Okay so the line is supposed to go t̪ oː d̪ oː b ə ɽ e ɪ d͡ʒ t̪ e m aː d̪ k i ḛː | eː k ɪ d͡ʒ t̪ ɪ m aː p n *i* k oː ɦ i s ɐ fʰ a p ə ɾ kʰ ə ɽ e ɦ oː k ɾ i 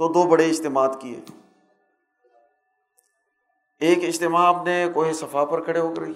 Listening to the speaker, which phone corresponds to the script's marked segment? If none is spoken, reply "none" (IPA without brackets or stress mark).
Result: e